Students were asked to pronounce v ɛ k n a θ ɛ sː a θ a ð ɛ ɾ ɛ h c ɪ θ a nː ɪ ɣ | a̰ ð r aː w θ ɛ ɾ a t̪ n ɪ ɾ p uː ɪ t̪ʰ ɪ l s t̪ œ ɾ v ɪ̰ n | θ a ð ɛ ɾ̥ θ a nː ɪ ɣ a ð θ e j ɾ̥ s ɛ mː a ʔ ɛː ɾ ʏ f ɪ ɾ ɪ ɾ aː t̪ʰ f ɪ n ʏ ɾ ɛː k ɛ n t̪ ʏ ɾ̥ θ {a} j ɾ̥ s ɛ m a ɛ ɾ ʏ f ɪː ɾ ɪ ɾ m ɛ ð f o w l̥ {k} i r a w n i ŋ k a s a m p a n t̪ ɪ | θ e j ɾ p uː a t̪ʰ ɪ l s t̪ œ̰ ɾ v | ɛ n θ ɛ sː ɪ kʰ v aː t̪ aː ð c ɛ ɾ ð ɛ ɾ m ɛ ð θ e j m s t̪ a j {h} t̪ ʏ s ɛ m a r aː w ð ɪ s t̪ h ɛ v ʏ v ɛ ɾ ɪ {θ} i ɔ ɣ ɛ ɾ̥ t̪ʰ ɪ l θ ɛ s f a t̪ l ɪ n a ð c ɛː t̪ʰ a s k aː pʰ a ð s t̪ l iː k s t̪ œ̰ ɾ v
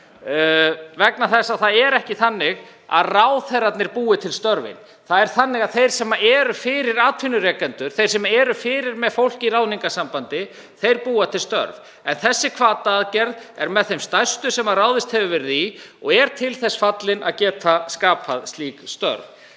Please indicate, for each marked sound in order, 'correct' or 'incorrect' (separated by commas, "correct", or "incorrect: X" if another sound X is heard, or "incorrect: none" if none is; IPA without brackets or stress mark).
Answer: incorrect: e, incorrect: c, incorrect: s, incorrect: ð